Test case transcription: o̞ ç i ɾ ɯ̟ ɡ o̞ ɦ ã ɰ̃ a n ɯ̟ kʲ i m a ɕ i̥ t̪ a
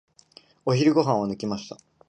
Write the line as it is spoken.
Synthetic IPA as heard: o̞ ç i ɾ ɯ̟ ɡ o̞ ɦ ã ɰ̃ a n ɯ̟ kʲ i m a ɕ i̥ t̪ a